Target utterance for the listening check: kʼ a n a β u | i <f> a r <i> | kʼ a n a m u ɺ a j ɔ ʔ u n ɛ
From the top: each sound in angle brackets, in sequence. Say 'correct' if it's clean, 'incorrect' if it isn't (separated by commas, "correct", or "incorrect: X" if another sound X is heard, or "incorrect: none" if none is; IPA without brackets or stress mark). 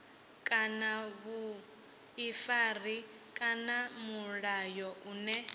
correct, correct